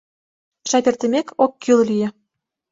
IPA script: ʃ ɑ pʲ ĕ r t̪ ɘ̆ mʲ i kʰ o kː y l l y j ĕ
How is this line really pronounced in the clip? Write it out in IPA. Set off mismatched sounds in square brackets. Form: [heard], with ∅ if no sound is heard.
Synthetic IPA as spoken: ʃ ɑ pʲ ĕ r t̪ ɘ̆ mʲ [e] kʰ o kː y l l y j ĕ